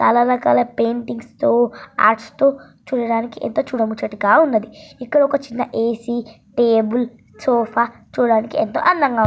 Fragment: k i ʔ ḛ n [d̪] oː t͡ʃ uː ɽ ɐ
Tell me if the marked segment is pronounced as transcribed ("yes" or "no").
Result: no